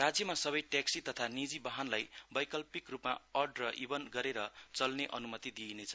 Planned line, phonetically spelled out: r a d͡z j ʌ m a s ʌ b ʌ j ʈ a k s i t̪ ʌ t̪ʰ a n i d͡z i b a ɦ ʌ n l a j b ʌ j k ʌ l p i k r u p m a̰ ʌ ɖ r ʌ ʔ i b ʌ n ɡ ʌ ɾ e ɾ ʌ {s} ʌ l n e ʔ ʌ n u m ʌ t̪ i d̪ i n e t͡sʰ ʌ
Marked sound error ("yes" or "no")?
yes